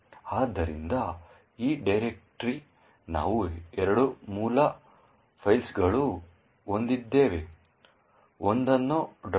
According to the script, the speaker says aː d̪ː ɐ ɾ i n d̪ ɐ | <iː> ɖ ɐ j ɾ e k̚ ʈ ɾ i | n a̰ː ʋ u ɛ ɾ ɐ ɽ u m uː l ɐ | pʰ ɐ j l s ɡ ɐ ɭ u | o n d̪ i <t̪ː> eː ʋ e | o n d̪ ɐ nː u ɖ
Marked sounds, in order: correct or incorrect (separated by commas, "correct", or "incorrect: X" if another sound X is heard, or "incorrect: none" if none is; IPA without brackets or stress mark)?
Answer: correct, incorrect: d̪ː